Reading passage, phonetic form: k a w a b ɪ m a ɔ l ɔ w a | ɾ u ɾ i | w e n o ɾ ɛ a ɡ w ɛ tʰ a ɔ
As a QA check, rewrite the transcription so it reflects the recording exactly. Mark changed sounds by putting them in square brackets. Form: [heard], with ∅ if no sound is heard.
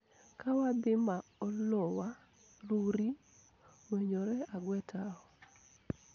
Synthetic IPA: k a w a b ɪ m a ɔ l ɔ w a | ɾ u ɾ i | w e [ɲ] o ɾ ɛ a ɡ w ɛ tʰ a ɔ